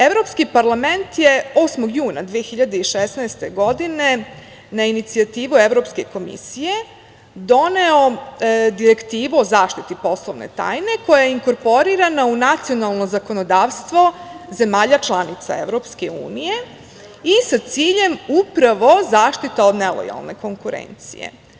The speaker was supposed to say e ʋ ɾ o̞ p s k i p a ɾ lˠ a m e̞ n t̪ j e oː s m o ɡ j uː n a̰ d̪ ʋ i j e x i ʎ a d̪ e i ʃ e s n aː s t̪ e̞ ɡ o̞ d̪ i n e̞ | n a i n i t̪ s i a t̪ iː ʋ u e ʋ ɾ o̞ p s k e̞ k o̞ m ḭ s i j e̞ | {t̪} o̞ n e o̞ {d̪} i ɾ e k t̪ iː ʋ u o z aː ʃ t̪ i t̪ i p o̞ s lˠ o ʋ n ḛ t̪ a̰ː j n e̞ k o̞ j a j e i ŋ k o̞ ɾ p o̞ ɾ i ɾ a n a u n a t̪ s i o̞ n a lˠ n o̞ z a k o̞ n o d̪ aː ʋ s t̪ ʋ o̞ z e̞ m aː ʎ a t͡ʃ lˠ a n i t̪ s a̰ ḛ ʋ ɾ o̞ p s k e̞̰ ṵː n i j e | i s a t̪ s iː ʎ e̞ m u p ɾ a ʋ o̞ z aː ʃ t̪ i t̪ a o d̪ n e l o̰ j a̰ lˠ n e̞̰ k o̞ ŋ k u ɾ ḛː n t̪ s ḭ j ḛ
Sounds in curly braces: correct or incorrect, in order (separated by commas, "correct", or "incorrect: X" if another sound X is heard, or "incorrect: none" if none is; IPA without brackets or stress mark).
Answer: incorrect: d̪, correct